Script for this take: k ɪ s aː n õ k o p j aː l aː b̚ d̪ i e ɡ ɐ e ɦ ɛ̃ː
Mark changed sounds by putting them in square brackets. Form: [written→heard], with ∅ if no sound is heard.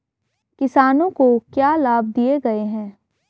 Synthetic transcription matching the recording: k ɪ s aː n õ k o [p→k] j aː l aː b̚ d̪ i e ɡ ɐ e ɦ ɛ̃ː